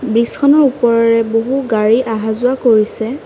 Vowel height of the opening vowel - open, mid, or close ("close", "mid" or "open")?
close